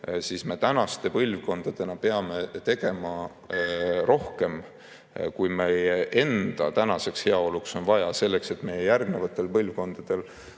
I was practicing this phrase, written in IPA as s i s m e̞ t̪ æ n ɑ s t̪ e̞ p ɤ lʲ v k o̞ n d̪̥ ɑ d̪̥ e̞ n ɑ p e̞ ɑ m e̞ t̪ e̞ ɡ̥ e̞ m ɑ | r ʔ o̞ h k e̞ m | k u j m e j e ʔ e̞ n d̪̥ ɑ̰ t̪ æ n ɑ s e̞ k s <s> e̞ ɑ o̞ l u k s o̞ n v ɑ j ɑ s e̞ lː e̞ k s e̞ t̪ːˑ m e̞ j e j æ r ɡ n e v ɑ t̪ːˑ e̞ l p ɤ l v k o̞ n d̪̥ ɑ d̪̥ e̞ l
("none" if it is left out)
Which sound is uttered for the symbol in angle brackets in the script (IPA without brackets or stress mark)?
h